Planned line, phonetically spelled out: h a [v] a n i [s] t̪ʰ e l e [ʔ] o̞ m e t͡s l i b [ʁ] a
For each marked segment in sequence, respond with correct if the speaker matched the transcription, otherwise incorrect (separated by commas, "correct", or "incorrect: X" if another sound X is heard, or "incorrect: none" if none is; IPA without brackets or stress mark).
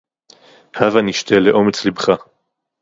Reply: correct, incorrect: ʃ, correct, incorrect: χ